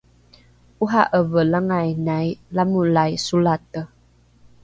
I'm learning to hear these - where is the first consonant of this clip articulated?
throat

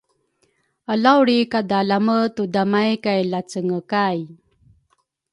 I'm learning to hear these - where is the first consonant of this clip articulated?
tongue tip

